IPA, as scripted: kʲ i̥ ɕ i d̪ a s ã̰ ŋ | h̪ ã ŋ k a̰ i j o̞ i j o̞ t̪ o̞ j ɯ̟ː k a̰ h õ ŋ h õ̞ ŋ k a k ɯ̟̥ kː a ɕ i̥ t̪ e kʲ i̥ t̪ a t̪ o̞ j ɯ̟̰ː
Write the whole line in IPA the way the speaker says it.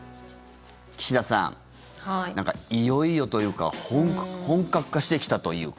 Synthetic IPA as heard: kʲ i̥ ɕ i d̪ a s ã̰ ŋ | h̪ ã ŋ k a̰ i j o̞ i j o̞ t̪ o̞ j ɯ̟ː k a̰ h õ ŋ h õ̞ ŋ k a k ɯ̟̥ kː a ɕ i̥ t̪ e kʲ i̥ t̪ a t̪ o̞ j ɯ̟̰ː